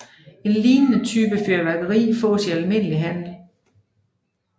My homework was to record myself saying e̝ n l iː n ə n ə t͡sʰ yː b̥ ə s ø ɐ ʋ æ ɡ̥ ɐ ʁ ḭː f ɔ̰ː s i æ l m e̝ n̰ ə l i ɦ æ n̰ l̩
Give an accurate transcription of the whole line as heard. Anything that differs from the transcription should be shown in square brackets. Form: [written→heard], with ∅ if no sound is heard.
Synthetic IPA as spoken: e̝ n l iː n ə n ə t͡sʰ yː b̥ ə [s→f] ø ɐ ʋ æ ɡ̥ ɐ ʁ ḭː f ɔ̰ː s i æ l m e̝ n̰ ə l i ɦ æ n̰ l̩